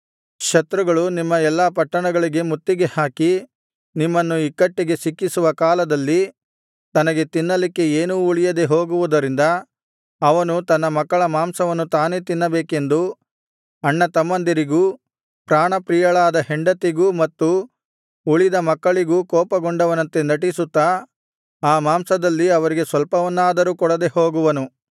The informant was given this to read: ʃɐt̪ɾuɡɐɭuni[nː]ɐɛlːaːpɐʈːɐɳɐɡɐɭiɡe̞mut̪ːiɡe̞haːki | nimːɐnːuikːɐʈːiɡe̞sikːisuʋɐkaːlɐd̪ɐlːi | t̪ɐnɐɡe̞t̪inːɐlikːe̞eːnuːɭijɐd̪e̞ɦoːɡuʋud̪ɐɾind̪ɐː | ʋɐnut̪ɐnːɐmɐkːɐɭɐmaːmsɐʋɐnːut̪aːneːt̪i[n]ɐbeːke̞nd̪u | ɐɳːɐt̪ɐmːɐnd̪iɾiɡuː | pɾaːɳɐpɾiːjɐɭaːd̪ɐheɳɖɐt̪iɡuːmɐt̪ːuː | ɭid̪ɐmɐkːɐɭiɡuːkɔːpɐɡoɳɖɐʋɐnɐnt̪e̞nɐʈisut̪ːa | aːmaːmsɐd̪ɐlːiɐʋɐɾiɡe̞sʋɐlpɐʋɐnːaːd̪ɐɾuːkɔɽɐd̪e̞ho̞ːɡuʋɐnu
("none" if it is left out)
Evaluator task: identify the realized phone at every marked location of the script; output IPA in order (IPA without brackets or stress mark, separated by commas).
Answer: mː, nː